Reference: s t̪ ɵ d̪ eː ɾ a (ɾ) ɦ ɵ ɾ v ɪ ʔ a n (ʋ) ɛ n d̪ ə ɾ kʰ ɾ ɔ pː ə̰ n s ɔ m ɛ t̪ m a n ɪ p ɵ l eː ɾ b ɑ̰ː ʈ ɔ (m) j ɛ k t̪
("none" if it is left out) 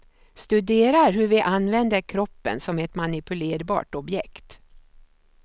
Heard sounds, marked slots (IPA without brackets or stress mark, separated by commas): ɾ, v, b